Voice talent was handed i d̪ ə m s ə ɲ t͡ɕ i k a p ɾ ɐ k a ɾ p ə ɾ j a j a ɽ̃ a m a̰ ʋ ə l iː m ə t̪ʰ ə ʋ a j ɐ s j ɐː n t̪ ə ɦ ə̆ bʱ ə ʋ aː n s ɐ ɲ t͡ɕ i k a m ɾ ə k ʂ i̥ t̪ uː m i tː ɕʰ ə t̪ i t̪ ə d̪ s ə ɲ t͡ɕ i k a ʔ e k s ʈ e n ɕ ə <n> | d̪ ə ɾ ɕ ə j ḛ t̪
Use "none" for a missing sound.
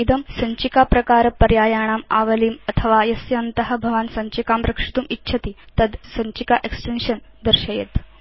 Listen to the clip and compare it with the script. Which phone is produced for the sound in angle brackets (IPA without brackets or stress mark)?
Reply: n